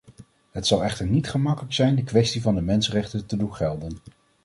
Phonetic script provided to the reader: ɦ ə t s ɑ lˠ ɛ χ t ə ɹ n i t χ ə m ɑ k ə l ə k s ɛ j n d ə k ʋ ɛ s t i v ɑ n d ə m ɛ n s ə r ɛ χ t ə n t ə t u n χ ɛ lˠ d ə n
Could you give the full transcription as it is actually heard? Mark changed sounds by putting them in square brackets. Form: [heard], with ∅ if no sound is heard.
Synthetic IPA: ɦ ə t s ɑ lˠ ɛ χ t ə ɹ n i t χ ə m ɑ k ə l ə k s ɛ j n d ə k ʋ ɛ s t i v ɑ n d ə m ɛ n s ə r ɛ χ t ə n t ə [d] u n χ ɛ lˠ d ə n